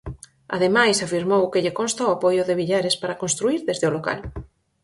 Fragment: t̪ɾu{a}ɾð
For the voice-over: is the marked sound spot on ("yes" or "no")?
no